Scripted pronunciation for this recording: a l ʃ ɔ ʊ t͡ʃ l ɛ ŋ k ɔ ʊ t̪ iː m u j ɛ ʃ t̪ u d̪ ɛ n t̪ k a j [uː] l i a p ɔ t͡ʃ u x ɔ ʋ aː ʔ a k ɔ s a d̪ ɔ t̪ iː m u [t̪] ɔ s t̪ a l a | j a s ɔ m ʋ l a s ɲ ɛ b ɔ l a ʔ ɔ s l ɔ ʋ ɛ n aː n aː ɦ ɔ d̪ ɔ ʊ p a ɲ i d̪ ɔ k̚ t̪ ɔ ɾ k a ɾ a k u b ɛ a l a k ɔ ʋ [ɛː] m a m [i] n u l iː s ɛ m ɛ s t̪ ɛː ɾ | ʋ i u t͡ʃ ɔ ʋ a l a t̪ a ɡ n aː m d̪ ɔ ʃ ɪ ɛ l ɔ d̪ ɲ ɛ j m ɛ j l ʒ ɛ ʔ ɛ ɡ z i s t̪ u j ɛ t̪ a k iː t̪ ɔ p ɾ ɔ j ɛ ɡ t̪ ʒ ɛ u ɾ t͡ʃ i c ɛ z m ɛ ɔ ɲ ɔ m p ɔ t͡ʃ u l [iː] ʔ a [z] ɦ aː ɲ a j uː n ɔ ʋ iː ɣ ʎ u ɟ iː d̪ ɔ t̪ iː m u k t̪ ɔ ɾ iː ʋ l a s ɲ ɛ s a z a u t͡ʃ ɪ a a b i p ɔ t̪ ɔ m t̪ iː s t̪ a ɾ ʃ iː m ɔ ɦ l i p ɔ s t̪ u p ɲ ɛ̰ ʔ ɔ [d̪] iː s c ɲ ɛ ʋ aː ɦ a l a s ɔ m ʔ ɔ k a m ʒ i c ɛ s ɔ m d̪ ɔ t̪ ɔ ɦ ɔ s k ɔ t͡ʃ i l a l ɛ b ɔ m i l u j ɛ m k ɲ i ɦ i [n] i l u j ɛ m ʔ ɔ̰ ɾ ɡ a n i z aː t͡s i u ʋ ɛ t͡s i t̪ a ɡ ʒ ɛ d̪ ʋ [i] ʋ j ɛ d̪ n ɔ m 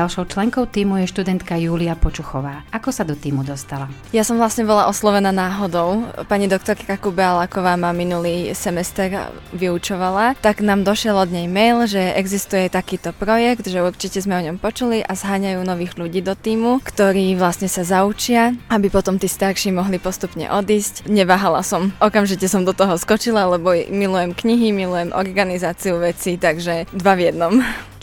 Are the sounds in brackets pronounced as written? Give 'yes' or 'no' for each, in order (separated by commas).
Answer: yes, no, no, yes, no, yes, yes, no, no